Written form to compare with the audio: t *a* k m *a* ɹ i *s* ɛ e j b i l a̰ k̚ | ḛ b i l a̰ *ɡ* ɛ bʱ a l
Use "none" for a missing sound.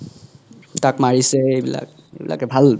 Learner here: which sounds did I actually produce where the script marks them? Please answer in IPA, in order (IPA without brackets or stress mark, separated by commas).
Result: a, a, s, k